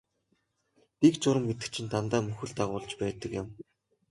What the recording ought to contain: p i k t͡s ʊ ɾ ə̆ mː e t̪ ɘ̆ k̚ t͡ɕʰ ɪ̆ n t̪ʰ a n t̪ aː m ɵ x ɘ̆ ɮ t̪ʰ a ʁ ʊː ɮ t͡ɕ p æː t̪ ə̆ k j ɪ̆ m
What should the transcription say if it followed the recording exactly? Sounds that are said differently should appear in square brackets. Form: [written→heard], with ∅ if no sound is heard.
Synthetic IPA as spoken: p i k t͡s ʊ ɾ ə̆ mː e t̪ ɘ̆ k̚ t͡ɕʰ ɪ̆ n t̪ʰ a n t̪ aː m ɵ x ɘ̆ ɮ [t̪ʰ→t̪] a ʁ ʊː ɮ t͡ɕ p æː t̪ ə̆ k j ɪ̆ m